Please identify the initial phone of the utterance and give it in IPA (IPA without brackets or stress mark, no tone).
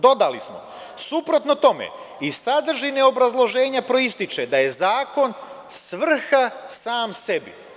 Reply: d̪